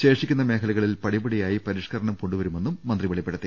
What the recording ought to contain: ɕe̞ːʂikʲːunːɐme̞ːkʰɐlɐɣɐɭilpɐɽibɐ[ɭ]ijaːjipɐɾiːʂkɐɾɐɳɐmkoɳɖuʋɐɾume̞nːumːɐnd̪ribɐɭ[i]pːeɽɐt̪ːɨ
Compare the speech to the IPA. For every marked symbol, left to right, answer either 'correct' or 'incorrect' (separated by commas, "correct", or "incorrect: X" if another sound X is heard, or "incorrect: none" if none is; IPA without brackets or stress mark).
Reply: incorrect: ɽ, correct